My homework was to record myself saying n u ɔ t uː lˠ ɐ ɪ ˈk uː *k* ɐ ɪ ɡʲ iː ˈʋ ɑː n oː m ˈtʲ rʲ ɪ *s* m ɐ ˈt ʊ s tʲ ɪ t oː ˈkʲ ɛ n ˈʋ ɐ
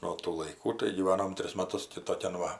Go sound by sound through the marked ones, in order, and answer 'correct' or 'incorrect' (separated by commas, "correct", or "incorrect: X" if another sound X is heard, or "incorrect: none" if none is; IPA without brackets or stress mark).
incorrect: t, correct